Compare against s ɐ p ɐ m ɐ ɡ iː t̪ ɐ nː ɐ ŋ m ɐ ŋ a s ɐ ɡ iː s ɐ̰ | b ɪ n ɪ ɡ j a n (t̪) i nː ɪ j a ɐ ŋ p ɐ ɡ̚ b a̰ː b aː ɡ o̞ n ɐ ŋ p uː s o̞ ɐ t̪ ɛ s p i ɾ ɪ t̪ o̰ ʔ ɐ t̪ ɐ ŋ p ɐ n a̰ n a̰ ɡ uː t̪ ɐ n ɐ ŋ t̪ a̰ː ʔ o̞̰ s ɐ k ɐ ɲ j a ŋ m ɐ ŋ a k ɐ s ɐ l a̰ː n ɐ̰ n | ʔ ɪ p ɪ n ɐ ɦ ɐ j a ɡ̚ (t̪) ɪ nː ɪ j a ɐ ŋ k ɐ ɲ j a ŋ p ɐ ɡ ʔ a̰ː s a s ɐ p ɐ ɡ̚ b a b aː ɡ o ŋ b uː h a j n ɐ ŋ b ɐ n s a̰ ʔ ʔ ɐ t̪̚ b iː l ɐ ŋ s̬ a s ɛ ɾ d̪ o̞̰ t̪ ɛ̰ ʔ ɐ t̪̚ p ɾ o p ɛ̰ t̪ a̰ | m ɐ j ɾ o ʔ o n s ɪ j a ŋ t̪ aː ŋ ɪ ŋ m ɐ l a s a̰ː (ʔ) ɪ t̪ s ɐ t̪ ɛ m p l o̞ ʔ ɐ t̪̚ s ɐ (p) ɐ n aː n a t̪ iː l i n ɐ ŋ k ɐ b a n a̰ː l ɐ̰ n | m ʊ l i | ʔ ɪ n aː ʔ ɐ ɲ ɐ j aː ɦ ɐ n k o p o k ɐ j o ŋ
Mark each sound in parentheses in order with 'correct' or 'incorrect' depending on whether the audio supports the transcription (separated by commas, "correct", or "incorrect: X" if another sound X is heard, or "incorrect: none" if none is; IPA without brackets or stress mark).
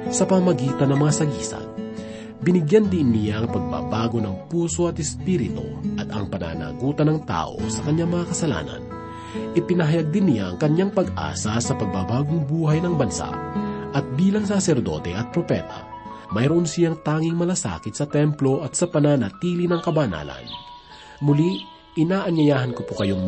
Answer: incorrect: d̪, incorrect: d̪, incorrect: k, correct